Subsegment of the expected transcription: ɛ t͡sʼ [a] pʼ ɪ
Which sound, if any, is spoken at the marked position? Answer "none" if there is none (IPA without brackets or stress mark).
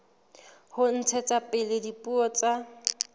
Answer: a